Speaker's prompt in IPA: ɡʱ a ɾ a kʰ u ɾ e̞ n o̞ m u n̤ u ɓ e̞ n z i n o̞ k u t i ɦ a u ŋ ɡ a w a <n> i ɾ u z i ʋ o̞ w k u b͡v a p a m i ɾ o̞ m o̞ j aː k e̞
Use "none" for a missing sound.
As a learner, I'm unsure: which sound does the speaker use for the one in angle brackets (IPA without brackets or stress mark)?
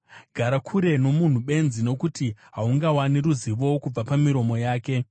n